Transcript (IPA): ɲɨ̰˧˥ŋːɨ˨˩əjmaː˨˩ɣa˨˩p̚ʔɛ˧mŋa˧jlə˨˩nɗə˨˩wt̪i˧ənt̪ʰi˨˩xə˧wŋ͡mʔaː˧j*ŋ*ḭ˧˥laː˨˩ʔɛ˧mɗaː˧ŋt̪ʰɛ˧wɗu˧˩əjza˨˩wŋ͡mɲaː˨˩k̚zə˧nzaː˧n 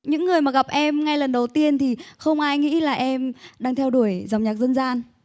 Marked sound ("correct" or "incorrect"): correct